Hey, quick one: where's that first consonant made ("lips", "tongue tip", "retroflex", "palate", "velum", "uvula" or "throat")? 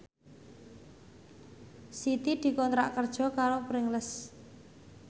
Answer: tongue tip